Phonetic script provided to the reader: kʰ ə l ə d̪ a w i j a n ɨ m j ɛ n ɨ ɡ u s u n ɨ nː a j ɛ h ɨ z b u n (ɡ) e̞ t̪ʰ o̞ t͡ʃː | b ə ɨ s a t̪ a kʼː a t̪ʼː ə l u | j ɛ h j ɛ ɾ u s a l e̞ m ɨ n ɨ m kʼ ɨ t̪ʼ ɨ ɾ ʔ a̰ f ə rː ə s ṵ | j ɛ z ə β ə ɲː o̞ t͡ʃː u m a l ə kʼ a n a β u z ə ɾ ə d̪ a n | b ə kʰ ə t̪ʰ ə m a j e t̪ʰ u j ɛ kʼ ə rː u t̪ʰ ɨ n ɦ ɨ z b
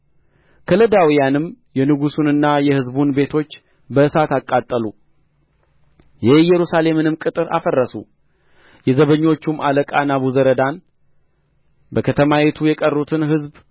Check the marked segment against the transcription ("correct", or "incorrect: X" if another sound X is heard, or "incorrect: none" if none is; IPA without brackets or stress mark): incorrect: b